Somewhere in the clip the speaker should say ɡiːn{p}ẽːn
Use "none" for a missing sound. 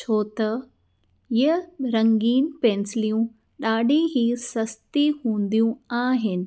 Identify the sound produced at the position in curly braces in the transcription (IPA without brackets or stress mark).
p